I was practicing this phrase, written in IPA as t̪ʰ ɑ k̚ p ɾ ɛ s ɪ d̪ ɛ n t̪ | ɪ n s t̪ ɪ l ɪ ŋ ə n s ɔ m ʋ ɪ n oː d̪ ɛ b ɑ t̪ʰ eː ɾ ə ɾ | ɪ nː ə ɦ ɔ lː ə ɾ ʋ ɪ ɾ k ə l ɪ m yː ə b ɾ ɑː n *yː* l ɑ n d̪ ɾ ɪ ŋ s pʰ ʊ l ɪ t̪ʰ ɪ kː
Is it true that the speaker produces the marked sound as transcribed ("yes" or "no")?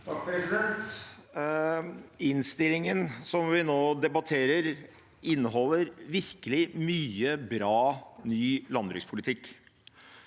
yes